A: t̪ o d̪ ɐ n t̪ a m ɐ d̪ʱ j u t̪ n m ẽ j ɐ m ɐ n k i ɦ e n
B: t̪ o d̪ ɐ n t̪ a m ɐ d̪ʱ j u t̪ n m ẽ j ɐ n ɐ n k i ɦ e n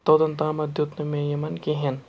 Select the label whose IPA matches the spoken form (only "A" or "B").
A